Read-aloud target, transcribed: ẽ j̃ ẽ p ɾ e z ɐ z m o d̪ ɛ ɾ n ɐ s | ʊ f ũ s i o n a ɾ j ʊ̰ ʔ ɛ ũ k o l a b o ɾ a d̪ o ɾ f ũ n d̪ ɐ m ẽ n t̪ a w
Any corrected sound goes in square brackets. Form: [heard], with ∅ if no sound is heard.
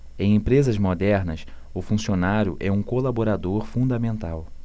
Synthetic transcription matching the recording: ẽ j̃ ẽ p ɾ e z ɐ z m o d̪ ɛ ɾ n ɐ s | ʊ f ũ s i o n a ɾ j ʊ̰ ʔ ɛ ũ k o l a b o ɾ a d̪ o ɾ f ũ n d̪ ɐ m ẽ n t̪ a w